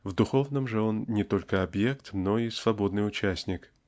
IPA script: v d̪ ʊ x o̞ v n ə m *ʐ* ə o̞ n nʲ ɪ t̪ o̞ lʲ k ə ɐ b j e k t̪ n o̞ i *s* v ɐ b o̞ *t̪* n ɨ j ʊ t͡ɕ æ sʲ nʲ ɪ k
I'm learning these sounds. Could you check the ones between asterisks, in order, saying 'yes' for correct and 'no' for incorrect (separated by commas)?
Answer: yes, yes, no